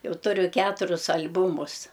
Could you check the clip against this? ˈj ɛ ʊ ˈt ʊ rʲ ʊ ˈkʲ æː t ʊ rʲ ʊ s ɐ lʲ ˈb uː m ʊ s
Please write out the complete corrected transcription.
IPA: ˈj ɛ ʊ ˈt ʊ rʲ ʊ ˈkʲ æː t ʊ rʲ ʊ s ɐ lʲ ˈb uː m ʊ s